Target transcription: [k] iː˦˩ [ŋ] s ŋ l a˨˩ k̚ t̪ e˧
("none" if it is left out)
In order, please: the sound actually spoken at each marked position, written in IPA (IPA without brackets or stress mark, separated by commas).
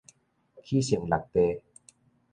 kʰ, none